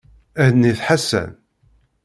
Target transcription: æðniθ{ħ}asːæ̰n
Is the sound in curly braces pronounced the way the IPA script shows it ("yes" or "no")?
yes